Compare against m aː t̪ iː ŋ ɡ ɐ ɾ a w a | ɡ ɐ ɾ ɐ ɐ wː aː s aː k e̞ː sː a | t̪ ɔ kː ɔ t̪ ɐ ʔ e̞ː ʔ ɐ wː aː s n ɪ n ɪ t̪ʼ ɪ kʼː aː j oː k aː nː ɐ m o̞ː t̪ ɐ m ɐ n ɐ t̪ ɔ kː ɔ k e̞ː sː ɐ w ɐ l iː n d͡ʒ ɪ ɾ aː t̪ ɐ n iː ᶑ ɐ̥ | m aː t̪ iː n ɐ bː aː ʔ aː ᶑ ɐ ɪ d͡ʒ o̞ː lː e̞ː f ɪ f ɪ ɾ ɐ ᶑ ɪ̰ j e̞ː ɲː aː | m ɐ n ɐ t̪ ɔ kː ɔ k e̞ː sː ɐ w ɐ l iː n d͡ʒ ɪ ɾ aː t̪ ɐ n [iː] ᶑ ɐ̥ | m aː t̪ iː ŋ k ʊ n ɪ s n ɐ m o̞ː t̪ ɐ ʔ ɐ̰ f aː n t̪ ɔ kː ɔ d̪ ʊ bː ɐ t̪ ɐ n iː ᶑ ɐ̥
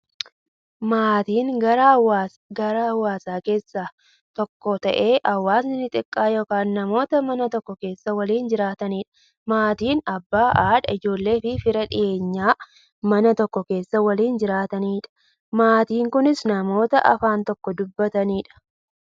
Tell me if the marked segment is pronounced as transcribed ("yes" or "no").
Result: yes